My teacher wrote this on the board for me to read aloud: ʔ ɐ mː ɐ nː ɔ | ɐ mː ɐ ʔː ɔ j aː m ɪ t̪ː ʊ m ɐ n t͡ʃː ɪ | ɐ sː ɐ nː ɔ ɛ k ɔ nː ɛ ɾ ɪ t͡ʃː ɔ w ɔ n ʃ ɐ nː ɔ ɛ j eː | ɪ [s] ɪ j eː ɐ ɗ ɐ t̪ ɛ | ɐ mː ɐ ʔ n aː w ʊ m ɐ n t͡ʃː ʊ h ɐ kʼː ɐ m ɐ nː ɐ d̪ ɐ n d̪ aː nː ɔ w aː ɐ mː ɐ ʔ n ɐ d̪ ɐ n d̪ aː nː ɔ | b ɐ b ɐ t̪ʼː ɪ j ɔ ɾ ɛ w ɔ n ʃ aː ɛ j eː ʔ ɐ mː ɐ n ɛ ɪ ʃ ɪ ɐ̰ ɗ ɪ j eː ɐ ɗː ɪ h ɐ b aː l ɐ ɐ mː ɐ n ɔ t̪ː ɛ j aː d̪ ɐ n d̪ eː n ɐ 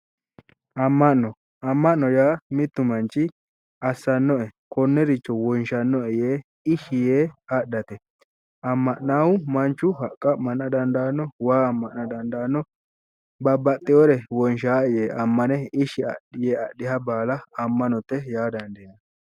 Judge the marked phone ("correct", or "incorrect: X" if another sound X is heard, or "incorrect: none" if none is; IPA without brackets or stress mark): incorrect: ʃ